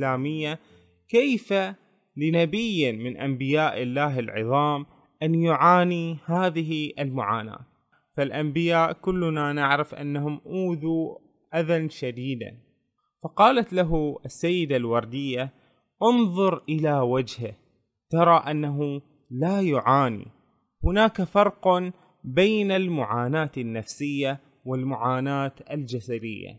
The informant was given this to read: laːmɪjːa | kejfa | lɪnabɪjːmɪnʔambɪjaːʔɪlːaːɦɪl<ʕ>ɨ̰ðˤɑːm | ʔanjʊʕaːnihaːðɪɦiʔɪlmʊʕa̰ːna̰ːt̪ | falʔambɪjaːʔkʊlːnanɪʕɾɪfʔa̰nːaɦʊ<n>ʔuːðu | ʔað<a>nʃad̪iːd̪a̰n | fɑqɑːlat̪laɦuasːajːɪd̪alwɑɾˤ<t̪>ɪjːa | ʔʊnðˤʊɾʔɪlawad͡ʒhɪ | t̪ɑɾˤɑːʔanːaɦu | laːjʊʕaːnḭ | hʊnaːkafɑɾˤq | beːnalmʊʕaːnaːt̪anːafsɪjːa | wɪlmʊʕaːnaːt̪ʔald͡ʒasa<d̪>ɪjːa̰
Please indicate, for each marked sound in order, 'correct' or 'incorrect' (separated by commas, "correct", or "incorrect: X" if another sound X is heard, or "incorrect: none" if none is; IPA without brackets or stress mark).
correct, incorrect: m, correct, incorrect: d̪, correct